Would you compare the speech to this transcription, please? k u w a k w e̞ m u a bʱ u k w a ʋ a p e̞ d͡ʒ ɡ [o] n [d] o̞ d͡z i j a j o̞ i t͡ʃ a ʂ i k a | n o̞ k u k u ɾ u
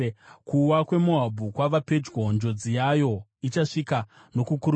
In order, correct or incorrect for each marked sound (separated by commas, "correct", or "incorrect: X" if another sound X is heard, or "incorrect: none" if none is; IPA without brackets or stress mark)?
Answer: correct, incorrect: d͡ʒ